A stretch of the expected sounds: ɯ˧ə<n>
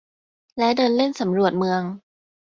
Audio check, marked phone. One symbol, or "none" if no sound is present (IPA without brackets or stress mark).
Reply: ŋ